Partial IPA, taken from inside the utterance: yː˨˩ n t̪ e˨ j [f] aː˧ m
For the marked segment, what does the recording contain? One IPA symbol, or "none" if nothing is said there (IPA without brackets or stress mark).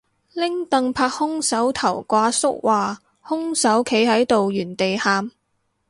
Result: h